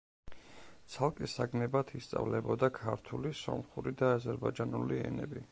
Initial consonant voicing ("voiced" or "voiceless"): voiceless